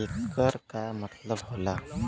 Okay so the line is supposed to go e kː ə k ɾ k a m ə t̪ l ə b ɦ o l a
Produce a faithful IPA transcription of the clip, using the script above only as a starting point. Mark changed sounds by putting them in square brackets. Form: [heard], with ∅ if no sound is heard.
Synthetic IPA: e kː ə [∅] ɾ k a m ə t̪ l ə b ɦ o l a

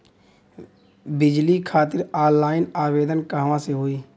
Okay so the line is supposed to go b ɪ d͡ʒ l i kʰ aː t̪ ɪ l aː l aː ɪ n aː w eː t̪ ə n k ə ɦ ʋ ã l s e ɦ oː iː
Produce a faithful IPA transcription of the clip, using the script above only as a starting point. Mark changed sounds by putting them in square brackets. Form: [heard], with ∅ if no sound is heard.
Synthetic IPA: b ɪ d͡ʒ l i kʰ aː t̪ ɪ [ɾ] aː l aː ɪ n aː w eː [d̪] ə n k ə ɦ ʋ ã [∅] s e ɦ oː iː

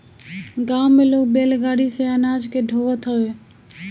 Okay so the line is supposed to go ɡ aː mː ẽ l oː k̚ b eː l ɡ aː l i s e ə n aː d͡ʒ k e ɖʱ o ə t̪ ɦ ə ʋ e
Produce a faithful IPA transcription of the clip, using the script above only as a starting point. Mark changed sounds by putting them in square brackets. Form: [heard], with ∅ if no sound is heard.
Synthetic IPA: ɡ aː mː [e] l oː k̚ b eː l ɡ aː [ɽ] i s e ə n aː d͡ʒ k e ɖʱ o ə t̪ ɦ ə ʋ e

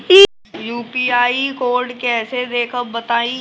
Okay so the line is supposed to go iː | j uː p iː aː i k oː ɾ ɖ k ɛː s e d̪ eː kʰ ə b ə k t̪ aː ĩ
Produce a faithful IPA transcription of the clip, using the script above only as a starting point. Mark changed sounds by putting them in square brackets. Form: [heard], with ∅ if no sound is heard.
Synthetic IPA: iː | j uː p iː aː i k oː ɾ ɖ k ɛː s e d̪ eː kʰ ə b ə [∅] t̪ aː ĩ

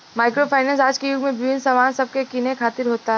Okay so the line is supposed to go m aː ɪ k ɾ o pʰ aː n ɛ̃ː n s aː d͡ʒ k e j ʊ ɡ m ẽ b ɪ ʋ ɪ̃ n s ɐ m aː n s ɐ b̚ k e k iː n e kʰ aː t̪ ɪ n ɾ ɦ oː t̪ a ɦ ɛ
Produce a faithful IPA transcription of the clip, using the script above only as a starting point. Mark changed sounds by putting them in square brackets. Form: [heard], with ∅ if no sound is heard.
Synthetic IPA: m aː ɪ k ɾ o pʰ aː n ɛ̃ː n s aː d͡ʒ k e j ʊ ɡ m ẽ b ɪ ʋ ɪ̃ n s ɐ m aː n s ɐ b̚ k e k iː n e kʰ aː t̪ ɪ [∅] ɾ ɦ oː t̪ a ɦ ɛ

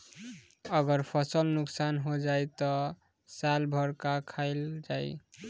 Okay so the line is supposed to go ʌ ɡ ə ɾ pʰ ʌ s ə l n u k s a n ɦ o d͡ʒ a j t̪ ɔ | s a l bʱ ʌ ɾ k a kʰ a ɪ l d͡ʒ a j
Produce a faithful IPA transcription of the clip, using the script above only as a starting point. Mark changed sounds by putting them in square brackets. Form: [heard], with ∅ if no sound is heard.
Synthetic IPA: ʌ ɡ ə ɾ pʰ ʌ s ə l n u k s a n ɦ o d͡ʒ a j t̪ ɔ | s a l bʱ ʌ ɾ k a kʰ a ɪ l d͡ʒ a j

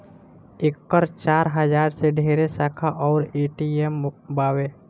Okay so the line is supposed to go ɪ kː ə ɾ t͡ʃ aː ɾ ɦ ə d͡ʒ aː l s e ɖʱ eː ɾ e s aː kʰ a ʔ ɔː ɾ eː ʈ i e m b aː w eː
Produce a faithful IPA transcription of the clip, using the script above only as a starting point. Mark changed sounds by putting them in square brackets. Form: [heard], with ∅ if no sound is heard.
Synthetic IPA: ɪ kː ə ɾ t͡ʃ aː ɾ ɦ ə d͡ʒ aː [ɾ] s e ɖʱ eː ɾ e s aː kʰ a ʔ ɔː ɾ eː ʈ i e m b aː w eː

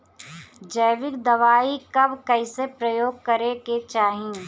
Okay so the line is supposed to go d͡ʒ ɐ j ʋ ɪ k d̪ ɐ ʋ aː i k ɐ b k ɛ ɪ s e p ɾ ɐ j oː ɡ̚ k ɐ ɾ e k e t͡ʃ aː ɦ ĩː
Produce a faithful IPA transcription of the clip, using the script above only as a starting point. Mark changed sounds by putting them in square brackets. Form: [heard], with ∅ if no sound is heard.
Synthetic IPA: d͡ʒ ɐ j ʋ ɪ k d̪ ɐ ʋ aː i k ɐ b k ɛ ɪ s e p ɾ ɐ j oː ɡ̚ k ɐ ɾ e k e t͡ʃ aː ɦ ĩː

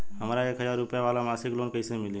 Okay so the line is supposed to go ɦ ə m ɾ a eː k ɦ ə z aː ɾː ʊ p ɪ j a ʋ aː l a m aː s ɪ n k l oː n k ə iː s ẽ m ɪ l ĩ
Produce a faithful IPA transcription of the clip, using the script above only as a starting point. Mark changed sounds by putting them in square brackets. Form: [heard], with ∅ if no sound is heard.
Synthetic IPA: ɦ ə m ɾ a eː k ɦ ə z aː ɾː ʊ p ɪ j a ʋ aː l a m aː s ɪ [∅] k l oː n k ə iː s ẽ m ɪ l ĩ

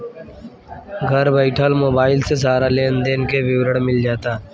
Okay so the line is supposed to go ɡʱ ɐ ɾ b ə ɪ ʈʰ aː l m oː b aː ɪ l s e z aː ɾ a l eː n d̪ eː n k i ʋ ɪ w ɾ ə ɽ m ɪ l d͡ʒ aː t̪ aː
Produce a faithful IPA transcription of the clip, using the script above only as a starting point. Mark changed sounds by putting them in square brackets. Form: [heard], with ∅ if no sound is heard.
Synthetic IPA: ɡʱ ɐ ɾ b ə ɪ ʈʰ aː l m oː b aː ɪ l s e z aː ɾ a l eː n d̪ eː n k [e] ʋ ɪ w ɾ ə ɽ m ɪ l d͡ʒ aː t̪ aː

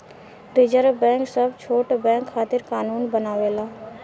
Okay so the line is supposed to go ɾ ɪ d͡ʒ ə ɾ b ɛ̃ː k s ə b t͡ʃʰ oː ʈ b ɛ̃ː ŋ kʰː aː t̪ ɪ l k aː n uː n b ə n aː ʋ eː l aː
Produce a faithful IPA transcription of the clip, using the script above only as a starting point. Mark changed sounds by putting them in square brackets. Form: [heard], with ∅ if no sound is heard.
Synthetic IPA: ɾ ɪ d͡ʒ ə ɾ b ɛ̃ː k s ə b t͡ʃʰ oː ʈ b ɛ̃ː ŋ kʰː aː t̪ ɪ [ɾ] k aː n uː n b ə n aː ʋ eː l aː

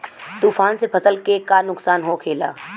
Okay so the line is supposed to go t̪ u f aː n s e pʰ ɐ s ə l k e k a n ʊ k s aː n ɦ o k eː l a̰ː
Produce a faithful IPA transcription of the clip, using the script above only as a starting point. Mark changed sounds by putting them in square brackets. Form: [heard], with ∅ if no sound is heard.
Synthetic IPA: t̪ [uː] f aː n s e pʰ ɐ s ə l k e k a n ʊ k s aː n ɦ o [kʰ] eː l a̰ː

